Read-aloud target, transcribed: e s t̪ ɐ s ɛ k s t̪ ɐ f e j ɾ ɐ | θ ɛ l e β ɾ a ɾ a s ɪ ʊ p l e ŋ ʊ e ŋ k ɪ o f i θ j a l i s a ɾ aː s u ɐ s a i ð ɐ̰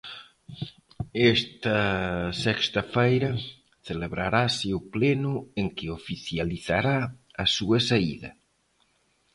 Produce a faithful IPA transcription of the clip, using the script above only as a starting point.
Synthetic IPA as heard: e s t̪ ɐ s ɛ k s t̪ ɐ f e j ɾ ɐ | θ e l e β ɾ a ɾ a s ɪ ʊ p l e n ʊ e ŋ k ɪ o f i θ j a l i θ a ɾ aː s u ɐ s a i ð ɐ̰